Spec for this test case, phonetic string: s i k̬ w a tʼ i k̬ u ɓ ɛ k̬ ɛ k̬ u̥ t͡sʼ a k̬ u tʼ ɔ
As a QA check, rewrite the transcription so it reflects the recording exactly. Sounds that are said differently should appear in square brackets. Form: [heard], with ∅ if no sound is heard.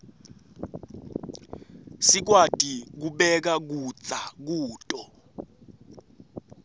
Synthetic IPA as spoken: s i k̬ w a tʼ i k̬ u ɓ ɛ k̬ [a] k̬ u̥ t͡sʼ a k̬ [uː] tʼ ɔ

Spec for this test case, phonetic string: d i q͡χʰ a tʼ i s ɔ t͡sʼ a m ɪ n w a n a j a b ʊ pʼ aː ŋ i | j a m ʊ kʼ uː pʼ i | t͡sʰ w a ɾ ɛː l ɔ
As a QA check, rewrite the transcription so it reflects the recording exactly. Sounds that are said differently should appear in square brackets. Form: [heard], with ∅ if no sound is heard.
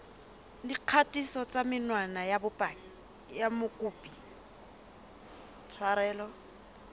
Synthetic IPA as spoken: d i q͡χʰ a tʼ i s ɔ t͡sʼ a m ɪ n w a n a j a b ʊ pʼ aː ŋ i | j a m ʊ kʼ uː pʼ i | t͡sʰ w a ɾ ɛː l ɔ

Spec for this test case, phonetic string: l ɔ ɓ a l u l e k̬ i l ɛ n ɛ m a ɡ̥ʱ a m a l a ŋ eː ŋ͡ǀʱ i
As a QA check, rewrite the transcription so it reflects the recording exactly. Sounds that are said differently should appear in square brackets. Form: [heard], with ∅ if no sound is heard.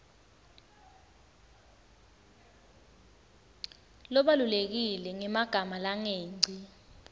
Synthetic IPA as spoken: l ɔ ɓ a l u l e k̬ i l ɛ [ŋ] ɛ m a ɡ̥ʱ a m a l a ŋ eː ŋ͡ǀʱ i

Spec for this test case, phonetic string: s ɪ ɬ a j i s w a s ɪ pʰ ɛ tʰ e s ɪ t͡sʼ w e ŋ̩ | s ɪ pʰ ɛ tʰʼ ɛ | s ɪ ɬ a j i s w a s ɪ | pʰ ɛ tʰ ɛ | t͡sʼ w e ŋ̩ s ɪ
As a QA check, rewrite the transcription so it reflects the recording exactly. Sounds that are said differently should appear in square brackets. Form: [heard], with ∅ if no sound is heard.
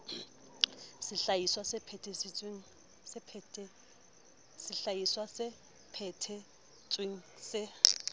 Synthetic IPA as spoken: s ɪ ɬ a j i s w a s ɪ pʰ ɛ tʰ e s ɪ t͡sʼ w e ŋ̩ | s ɪ pʰ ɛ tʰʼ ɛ | s ɪ ɬ a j i s w a s ɪ | pʰ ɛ tʰ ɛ | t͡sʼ w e ŋ̩ s ɪ

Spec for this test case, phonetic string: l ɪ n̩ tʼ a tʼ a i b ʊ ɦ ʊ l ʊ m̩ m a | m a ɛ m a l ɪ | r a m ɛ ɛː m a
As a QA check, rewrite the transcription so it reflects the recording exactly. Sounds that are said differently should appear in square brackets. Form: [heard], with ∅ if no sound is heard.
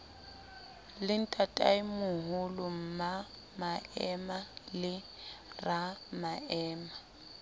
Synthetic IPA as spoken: l ɪ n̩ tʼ a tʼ a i [m] ʊ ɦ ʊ l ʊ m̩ m a | m a ɛ m a l ɪ | r a m [a] ɛː m a

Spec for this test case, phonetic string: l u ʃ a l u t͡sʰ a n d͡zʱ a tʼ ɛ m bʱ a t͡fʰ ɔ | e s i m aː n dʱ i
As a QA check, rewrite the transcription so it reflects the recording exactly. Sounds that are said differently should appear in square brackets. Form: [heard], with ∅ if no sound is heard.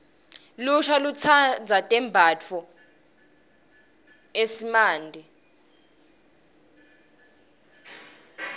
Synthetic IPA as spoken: l u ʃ a l u t͡sʰ a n d͡zʱ a tʼ ɛ m bʱ a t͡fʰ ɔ | e s i m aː n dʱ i

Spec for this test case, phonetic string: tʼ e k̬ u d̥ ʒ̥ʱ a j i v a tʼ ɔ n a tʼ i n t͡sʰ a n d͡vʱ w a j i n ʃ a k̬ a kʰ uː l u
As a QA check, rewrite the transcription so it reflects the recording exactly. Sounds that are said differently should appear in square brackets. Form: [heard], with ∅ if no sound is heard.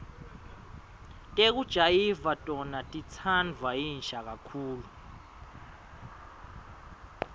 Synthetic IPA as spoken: tʼ e k̬ u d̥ ʒ̥ʱ a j i v a tʼ ɔ n a tʼ i [∅] t͡sʰ a n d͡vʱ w a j i n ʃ a k̬ a kʰ uː l u

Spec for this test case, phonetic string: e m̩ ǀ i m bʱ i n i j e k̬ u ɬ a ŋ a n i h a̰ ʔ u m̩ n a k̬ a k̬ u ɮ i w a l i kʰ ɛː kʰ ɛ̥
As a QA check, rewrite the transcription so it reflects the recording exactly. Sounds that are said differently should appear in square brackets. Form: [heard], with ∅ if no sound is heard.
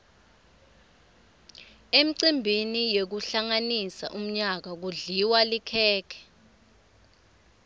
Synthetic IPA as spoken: e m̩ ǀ i m bʱ i n i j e k̬ u ɬ a ŋ a n i [s] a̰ ʔ u m̩ [ɲ] a k̬ a k̬ u ɮ i w a l i kʰ ɛː kʰ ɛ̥

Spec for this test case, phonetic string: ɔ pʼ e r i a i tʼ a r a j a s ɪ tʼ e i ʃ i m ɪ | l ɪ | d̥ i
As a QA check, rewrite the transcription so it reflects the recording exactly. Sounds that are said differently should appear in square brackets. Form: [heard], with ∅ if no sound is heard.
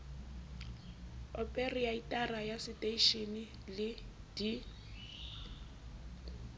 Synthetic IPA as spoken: ɔ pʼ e r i a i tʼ a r a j a s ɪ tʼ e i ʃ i [n] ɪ | l ɪ | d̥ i

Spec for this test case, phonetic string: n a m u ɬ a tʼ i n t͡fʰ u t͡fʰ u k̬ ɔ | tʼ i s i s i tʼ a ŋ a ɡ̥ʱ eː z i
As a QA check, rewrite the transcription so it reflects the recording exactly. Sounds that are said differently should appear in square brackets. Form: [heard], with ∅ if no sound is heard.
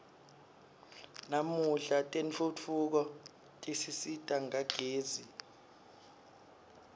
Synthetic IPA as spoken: n a m u ɬ a tʼ [e] n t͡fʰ u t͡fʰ u k̬ ɔ | tʼ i s i s i tʼ a ŋ a ɡ̥ʱ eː z i

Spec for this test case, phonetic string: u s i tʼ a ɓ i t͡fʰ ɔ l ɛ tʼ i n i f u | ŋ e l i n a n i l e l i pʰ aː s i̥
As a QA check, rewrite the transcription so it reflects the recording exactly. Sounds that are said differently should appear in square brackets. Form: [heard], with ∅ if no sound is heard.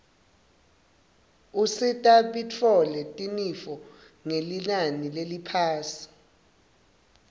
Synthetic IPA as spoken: u s i tʼ a ɓ i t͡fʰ ɔ l ɛ tʼ i n i f [ɔ] | ŋ e l i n a n i l e l i pʰ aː s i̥

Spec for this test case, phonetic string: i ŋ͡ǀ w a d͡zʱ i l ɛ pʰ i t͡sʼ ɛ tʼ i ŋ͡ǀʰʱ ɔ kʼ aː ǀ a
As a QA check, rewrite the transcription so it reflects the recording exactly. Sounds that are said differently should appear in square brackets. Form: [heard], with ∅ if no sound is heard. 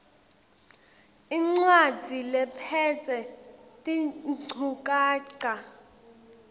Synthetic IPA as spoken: i ŋ͡ǀ w a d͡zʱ i l ɛ pʰ [ɛ] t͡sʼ ɛ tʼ i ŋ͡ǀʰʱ [u] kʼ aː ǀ a

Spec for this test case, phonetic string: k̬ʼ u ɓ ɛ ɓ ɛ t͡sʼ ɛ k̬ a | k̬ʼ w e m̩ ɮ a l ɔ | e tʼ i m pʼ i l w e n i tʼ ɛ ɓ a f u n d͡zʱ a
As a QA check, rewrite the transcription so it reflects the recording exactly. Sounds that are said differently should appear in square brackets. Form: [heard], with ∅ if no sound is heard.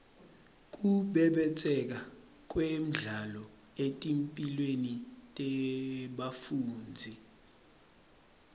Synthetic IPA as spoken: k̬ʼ u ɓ ɛ ɓ ɛ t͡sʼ ɛ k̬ a | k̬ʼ w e m̩ ɮ a l ɔ | e tʼ i m pʼ i l w e n i tʼ ɛ ɓ a f [uː] n d͡zʱ [i]

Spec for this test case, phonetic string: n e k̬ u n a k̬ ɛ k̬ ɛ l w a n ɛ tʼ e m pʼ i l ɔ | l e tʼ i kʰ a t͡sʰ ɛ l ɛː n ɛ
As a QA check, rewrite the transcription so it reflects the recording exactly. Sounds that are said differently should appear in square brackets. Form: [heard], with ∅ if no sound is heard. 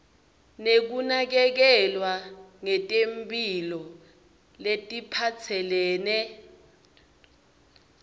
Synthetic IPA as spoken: n e k̬ u n a k̬ ɛ k̬ ɛ l w a [ŋ] ɛ tʼ e m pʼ i l ɔ | l e tʼ i [pʰ] a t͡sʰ ɛ l ɛː n ɛ

